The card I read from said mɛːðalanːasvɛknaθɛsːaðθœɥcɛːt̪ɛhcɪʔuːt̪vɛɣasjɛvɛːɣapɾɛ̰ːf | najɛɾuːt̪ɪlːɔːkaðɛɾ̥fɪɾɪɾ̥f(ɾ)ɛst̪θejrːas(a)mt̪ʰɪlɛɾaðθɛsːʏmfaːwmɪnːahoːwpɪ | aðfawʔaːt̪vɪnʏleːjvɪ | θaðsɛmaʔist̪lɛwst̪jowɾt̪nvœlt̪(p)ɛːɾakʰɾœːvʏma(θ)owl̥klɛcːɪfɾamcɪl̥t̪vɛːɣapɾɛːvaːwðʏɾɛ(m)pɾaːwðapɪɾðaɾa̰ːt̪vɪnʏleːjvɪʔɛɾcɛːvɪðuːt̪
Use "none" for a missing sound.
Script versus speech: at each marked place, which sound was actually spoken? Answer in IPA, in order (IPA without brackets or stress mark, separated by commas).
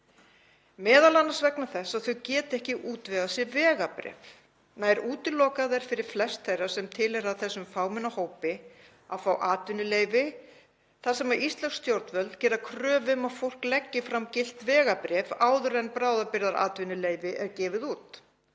l, ɛ, c, f, n